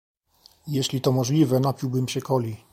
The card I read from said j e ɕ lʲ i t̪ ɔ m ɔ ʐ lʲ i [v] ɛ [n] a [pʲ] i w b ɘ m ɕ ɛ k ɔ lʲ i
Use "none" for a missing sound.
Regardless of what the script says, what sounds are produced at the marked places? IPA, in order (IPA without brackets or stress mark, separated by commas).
v, n, pʲ